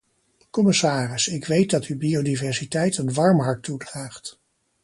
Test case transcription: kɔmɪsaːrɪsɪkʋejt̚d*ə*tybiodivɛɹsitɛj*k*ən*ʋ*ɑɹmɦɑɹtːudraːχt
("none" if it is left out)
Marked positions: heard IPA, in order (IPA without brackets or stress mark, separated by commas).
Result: ɑ, t, ʋ